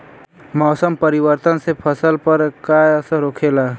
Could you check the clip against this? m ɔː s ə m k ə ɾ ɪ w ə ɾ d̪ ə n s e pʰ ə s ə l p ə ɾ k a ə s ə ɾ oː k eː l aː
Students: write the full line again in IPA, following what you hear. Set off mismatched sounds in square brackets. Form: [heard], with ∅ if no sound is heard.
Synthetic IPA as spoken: m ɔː s ə m [p] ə ɾ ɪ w ə ɾ [t̪] ə n s e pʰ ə s ə l p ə ɾ k a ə s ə ɾ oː [kʰ] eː l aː